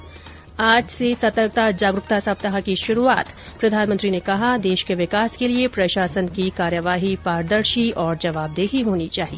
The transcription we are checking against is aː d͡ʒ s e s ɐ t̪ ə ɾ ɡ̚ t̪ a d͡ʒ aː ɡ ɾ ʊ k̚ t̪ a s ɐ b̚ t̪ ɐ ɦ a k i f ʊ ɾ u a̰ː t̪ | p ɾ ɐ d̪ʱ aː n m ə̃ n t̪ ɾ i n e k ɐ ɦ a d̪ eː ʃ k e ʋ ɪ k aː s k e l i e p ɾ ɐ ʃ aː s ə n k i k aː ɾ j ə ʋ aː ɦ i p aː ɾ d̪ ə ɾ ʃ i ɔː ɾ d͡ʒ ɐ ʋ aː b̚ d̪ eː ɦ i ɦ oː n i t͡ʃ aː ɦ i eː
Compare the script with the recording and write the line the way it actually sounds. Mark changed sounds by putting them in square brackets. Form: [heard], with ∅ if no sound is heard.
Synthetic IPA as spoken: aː d͡ʒ s e s ɐ t̪ ə ɾ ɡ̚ t̪ a d͡ʒ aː ɡ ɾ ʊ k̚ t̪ a s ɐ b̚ t̪ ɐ ɦ a k i [ʃ] ʊ ɾ u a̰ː t̪ | p ɾ ɐ d̪ʱ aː n m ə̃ n t̪ ɾ i n e k ɐ ɦ a d̪ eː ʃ k e ʋ ɪ k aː s k e l i e p ɾ ɐ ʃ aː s ə n k i k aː ɾ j ə ʋ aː ɦ i p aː ɾ d̪ ə ɾ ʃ i ɔː ɾ d͡ʒ ɐ ʋ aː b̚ d̪ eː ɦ i ɦ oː n i t͡ʃ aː ɦ i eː